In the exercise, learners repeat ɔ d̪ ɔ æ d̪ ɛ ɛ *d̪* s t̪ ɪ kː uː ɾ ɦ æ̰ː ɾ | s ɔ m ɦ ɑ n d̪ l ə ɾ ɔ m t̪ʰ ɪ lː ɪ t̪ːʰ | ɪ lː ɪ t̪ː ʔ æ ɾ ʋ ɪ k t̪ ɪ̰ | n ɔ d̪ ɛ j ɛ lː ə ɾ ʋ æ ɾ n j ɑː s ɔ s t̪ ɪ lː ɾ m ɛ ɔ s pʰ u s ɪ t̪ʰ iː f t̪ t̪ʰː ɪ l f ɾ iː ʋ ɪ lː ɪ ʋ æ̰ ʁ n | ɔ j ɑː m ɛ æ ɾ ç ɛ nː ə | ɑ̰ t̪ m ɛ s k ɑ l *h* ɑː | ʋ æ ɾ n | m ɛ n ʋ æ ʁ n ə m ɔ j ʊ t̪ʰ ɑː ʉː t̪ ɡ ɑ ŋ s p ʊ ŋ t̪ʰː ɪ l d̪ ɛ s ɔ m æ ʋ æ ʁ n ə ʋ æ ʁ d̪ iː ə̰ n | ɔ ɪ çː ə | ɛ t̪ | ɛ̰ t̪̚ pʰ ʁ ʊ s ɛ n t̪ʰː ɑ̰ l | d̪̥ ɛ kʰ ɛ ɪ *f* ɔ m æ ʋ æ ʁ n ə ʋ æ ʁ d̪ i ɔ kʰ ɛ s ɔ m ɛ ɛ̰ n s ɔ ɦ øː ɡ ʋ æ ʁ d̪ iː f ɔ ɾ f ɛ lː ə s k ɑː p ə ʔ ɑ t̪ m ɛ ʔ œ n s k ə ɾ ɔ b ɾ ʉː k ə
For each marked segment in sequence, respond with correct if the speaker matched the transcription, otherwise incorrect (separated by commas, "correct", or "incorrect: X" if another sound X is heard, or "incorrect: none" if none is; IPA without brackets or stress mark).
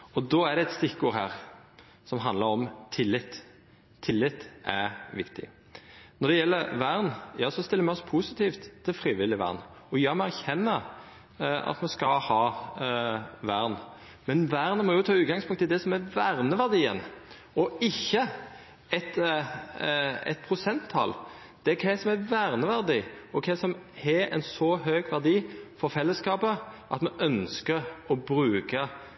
incorrect: t̪, correct, incorrect: s